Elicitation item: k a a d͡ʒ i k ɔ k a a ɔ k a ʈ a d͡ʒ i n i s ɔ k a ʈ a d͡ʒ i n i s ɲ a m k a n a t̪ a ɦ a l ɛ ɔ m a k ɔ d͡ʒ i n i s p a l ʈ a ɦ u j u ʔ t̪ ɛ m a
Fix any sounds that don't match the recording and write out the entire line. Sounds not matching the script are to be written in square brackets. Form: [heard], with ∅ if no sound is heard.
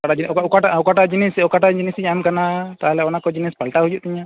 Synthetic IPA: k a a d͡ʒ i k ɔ k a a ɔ k a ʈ a d͡ʒ i n i s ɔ k a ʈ a d͡ʒ i n i s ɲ a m k a n a t̪ a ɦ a l ɛ ɔ [n] a k ɔ d͡ʒ i n i s p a l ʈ a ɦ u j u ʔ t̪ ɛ [ɲ] a